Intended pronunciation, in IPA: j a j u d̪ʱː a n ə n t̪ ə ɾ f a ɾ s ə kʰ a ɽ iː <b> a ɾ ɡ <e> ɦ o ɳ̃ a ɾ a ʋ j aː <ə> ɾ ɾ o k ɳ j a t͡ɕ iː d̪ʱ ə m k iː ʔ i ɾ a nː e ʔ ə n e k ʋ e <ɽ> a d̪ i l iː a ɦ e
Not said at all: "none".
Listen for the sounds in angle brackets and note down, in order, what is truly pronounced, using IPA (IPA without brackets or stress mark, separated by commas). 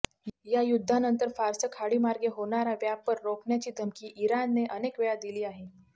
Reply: m, e, ə, ɭ